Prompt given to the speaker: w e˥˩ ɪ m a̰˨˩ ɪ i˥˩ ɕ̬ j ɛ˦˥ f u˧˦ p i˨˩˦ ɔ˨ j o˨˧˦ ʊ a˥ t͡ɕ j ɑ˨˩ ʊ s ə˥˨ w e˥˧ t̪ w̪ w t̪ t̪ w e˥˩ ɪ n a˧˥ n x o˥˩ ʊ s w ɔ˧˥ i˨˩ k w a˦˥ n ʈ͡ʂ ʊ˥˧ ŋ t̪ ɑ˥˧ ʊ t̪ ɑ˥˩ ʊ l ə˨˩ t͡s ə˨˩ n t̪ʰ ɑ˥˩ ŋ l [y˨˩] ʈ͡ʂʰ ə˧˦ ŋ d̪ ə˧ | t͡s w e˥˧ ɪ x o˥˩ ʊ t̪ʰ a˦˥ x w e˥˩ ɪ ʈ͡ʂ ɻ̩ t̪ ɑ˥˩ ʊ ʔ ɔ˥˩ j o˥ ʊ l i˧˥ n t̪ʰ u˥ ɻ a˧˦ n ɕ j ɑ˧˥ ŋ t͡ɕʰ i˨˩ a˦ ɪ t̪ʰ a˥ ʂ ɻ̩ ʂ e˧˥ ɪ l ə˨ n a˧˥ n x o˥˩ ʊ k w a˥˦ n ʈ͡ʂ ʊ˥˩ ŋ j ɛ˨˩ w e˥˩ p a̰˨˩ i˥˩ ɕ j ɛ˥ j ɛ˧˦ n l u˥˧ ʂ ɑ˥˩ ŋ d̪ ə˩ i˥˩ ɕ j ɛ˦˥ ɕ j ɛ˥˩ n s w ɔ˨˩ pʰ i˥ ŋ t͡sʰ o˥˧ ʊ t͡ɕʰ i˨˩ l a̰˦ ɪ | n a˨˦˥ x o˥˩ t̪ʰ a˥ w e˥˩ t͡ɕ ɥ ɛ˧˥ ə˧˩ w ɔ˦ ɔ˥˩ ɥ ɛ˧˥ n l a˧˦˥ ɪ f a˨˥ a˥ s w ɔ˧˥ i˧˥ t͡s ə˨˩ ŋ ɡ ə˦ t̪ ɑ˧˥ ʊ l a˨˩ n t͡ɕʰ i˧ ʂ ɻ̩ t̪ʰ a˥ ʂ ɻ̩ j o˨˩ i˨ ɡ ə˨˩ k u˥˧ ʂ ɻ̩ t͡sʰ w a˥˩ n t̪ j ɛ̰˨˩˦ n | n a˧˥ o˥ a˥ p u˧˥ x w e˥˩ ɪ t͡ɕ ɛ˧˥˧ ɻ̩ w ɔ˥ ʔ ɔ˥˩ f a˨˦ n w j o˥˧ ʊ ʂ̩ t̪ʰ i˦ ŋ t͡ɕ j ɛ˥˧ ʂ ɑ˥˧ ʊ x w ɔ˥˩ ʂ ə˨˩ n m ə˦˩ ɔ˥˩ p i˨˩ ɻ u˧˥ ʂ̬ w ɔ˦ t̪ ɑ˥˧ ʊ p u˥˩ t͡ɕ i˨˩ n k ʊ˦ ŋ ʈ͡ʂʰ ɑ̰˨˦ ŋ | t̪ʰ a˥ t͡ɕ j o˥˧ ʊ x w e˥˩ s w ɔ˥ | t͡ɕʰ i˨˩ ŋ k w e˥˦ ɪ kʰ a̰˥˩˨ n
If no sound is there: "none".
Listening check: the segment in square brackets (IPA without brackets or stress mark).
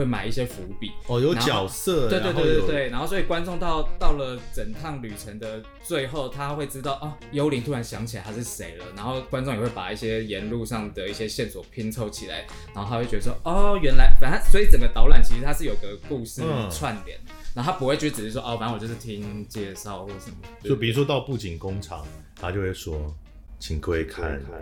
y˨˩